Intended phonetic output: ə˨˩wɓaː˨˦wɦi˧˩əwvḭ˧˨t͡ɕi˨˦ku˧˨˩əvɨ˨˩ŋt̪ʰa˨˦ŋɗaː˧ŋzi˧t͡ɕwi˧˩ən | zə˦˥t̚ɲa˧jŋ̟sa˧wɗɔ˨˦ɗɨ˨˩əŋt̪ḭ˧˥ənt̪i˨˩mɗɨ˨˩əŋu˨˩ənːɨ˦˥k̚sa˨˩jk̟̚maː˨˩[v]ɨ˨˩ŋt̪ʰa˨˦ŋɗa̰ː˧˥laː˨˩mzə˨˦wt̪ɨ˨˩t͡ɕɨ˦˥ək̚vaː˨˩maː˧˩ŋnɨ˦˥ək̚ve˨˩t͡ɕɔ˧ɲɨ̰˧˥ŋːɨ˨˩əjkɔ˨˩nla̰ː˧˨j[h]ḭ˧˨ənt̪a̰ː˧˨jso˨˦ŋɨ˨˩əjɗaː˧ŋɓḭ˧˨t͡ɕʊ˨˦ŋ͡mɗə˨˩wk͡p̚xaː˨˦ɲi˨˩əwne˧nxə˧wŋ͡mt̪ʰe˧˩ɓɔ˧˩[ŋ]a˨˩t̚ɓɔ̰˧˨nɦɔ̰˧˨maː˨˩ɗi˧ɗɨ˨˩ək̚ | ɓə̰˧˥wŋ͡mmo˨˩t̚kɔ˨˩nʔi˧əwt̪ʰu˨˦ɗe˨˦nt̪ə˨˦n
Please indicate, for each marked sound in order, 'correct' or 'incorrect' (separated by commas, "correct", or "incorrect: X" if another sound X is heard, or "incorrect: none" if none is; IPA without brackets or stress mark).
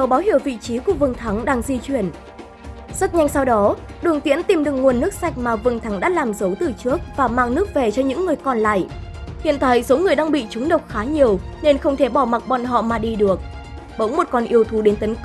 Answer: correct, correct, incorrect: m